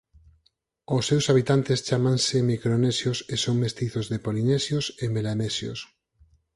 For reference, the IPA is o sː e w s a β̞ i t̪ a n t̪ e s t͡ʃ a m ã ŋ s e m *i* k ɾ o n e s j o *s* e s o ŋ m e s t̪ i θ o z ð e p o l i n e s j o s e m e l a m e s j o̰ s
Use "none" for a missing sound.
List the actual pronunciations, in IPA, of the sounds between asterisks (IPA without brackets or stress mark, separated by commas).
i, s